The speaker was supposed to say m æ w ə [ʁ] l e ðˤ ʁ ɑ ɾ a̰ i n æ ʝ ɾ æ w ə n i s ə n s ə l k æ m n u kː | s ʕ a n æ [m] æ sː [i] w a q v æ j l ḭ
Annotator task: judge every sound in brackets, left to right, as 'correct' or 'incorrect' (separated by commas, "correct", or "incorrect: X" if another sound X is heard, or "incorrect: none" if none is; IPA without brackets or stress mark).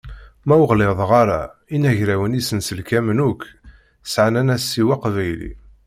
correct, incorrect: n, correct